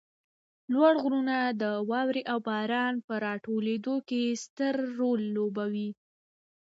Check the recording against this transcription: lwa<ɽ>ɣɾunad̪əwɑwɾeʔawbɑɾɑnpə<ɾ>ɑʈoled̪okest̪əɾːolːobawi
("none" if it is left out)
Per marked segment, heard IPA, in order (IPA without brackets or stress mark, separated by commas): ɽ, ɾ